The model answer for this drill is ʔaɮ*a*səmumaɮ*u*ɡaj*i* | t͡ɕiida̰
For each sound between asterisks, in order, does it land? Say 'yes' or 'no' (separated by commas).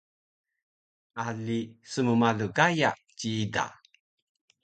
no, yes, no